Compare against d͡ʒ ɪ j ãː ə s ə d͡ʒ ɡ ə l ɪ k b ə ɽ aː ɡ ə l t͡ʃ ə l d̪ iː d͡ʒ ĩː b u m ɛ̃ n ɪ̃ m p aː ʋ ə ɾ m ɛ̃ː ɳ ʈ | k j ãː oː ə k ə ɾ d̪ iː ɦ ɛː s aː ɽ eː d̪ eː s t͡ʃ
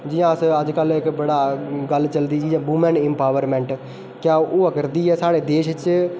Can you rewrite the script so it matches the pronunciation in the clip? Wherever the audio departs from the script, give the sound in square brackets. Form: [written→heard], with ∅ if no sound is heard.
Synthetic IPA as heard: d͡ʒ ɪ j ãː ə s ə d͡ʒ [ɡ→k] ə l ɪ k b ə ɽ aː ɡ ə l t͡ʃ ə l d̪ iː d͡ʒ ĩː b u m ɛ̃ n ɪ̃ m p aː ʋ ə ɾ m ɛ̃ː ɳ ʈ | k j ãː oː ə k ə ɾ d̪ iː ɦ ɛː s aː ɽ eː d̪ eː [s→ʃ] t͡ʃ